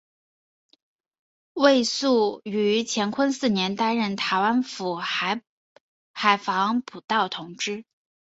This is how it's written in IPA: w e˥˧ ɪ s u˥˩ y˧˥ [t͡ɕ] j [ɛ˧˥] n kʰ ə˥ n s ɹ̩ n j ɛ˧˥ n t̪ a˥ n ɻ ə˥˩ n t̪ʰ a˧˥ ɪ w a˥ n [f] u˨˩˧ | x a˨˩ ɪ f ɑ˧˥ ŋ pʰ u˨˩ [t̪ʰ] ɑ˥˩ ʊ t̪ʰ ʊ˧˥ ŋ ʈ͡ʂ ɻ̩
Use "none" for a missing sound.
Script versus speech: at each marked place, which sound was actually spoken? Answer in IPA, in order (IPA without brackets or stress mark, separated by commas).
t͡ɕʰ, ɛ˧˥, f, t̪